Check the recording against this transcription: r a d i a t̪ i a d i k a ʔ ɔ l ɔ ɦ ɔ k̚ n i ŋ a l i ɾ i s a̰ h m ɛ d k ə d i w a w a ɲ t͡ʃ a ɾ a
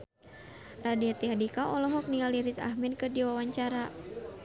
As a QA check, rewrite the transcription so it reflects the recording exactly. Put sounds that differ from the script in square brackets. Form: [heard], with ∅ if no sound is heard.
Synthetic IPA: r a d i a t̪ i a d i k a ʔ ɔ l ɔ ɦ ɔ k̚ n i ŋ a l i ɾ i s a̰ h m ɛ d k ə d i w a w a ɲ t͡ʃ a ɾ a

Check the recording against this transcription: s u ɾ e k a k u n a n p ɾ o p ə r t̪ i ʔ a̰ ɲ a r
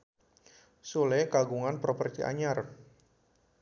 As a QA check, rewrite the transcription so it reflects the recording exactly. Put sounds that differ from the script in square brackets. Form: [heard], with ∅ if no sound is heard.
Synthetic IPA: s u [l] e k a [ɡ] u [ŋ] a n p ɾ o p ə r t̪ i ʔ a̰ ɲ a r

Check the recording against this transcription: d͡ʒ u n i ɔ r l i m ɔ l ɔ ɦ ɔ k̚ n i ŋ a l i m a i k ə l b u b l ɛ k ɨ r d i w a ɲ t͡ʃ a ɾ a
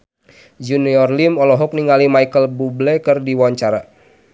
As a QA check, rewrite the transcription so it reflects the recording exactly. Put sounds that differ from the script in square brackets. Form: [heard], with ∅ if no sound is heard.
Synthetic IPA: d͡ʒ u n i ɔ r l i m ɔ l ɔ ɦ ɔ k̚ n i ŋ a l i m a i k ə l b u b l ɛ k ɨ r d i w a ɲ t͡ʃ a ɾ a

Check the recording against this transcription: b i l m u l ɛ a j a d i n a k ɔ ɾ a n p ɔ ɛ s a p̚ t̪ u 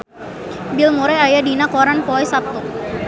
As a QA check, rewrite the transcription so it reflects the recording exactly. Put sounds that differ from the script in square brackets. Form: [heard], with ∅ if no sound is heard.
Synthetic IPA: b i l m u [ɾ] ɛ a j a d i n a k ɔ ɾ a n p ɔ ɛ s a p̚ t̪ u

